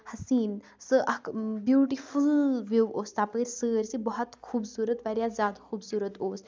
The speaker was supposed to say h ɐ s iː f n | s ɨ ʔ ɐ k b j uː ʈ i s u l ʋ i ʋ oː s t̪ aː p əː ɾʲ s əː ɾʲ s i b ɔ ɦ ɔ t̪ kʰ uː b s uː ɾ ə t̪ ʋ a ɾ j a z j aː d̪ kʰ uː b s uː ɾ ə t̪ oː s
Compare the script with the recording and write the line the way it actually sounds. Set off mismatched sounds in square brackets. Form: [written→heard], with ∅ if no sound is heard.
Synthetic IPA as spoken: h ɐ s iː [f→∅] n | s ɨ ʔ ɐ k b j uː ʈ i [s→f] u l ʋ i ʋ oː s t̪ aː p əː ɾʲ s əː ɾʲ s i b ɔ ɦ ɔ t̪ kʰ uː b s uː ɾ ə t̪ ʋ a ɾ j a z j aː d̪ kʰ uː b s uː ɾ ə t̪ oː s

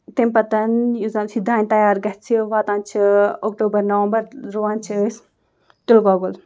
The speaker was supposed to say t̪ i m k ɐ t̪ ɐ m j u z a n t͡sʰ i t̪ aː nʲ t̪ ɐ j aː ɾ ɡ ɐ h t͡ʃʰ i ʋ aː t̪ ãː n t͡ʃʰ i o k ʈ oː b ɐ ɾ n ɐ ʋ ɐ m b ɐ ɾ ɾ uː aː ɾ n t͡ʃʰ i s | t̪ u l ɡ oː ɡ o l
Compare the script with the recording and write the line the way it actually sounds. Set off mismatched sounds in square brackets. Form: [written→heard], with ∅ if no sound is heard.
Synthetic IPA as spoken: t̪ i m [k→p] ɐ t̪ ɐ [m→n] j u z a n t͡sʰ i [t̪→d̪] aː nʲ t̪ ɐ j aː ɾ ɡ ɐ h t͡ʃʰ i ʋ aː t̪ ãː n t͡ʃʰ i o k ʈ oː b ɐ ɾ n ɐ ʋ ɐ m b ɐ ɾ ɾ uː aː [ɾ→∅] n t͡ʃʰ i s | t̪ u l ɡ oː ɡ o l

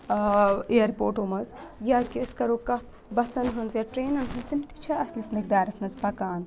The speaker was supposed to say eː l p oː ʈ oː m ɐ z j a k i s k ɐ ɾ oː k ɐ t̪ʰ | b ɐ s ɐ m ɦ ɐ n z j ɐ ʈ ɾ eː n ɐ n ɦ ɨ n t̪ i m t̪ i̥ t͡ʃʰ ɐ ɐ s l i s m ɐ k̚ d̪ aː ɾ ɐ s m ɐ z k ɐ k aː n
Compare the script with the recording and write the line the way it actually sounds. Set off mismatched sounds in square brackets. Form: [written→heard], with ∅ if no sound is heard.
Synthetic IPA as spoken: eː [l→ɾ] p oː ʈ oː m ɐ z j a k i s k ɐ ɾ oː k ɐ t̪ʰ | b ɐ s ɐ [m→n] ɦ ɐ n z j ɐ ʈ ɾ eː n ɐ n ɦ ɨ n t̪ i m t̪ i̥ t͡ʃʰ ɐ ɐ s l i s m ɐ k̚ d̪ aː ɾ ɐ s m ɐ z [k→p] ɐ k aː n

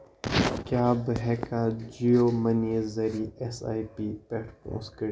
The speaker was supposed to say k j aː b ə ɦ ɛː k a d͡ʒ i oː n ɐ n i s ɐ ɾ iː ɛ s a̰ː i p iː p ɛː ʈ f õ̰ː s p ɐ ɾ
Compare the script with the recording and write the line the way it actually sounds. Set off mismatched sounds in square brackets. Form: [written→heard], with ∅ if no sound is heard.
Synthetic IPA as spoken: k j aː b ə ɦ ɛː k a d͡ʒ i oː [n→m] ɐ n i [s→z] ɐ ɾ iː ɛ s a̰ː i p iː p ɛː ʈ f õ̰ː s [p→k] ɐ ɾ

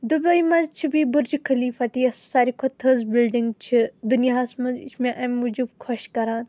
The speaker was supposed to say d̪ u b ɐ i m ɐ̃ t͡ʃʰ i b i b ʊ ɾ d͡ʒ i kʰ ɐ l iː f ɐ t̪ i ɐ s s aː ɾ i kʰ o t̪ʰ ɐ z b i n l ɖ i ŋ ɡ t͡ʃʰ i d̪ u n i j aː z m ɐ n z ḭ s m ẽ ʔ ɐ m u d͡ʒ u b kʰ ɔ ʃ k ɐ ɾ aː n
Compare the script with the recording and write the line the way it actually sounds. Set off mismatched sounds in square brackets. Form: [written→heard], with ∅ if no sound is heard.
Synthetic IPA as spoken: d̪ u b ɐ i m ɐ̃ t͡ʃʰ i b i b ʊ ɾ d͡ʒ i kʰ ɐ l iː f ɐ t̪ i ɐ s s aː ɾ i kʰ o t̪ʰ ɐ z b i [n→∅] l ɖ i ŋ ɡ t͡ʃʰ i d̪ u n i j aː [z→s] m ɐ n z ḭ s m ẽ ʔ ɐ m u d͡ʒ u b kʰ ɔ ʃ k ɐ ɾ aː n

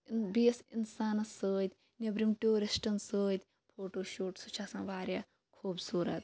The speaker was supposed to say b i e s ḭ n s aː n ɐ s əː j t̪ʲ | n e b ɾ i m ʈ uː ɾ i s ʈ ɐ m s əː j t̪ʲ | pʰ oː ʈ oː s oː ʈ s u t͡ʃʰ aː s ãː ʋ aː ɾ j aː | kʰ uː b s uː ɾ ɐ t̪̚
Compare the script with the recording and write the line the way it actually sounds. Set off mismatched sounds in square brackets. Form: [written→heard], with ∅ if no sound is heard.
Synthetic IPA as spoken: b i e s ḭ n s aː n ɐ s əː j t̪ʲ | n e b ɾ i m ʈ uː ɾ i s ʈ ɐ [m→n] s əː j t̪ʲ | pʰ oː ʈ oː [s→ʃ] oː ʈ s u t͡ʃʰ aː s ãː ʋ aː ɾ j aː | kʰ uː b s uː ɾ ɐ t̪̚

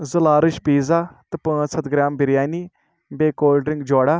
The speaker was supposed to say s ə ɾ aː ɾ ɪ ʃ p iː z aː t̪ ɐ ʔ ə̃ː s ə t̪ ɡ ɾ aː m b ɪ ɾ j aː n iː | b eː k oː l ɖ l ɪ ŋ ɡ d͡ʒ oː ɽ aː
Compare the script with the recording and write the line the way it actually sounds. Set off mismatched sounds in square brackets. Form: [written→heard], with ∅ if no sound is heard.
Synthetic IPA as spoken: [s→z] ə [ɾ→l] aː ɾ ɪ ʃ p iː z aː t̪ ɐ [ʔ→p] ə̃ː s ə t̪ ɡ ɾ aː m b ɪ ɾ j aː n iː | b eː k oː l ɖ [l→ɾ] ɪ ŋ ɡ d͡ʒ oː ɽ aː

